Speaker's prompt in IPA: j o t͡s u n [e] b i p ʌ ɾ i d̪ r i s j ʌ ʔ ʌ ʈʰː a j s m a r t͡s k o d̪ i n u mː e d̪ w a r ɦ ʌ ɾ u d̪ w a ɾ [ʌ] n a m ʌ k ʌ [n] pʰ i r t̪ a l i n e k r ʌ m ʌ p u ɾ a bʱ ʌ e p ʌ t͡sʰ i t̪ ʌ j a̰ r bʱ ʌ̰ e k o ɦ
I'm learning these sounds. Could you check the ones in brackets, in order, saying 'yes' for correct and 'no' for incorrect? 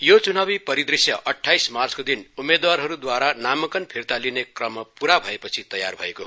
no, no, yes

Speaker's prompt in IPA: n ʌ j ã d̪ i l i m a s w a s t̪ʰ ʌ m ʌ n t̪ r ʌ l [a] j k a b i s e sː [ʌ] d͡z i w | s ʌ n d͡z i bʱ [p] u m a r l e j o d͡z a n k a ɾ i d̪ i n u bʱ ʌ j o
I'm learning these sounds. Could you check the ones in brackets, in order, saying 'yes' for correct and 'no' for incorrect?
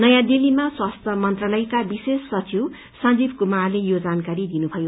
no, yes, no

